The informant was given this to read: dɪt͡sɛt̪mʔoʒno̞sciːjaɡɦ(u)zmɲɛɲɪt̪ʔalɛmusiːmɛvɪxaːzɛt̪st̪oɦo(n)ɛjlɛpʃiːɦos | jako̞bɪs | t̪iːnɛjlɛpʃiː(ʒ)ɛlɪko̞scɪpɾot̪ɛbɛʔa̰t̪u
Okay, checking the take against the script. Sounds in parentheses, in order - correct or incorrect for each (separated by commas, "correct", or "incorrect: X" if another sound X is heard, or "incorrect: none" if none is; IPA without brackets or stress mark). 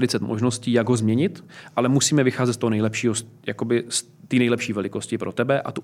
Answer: incorrect: o, correct, incorrect: v